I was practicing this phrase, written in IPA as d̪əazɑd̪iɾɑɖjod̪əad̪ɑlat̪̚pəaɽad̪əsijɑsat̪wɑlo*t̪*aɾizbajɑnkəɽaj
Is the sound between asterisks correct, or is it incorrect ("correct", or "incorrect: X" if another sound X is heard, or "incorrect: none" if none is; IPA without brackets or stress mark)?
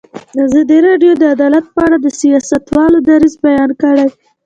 incorrect: d̪